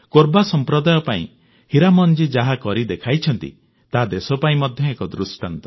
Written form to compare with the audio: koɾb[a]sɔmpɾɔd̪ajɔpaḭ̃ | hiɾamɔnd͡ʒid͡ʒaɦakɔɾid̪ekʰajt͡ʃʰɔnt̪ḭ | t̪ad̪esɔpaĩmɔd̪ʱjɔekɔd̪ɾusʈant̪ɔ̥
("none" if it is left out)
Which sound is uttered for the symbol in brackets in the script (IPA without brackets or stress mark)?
a